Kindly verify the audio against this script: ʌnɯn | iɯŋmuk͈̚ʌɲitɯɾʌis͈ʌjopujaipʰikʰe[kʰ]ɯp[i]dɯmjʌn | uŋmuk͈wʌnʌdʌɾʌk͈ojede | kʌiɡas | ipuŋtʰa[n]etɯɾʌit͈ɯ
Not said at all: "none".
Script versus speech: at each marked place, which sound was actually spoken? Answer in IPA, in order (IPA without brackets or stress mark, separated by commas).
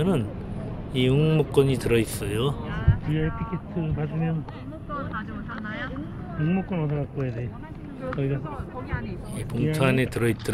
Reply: tʰ, a, n